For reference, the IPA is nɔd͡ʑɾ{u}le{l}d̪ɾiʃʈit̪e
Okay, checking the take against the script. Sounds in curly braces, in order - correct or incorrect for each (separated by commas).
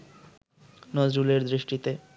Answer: correct, incorrect